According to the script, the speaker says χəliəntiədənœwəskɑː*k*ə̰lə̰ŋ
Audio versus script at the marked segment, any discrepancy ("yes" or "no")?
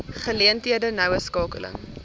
no